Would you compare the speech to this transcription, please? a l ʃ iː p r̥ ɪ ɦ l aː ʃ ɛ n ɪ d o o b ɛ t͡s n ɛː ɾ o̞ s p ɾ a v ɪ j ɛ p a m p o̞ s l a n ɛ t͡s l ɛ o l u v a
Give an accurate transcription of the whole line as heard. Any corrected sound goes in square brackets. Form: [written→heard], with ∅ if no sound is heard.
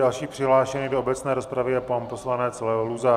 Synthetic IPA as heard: a l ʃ iː p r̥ ɪ ɦ l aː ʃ ɛ n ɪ d o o b ɛ t͡s n ɛː ɾ o̞ s p ɾ a v ɪ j ɛ p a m p o̞ s l a n ɛ t͡s l ɛ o l u [v→z] a